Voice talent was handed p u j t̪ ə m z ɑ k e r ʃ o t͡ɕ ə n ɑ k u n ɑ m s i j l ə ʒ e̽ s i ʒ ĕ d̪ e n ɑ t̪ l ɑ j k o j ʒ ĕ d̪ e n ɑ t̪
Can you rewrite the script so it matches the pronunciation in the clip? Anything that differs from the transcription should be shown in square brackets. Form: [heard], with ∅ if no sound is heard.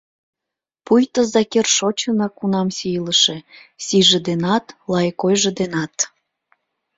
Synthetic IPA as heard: p u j t̪ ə [∅] z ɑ k e r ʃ o t͡ɕ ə n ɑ k u n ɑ m s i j l ə [ʃ] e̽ s i ʒ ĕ d̪ e n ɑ t̪ l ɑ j k o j ʒ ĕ d̪ e n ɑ t̪